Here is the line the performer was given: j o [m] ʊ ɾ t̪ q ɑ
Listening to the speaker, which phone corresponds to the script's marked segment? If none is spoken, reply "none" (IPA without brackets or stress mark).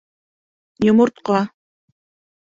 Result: m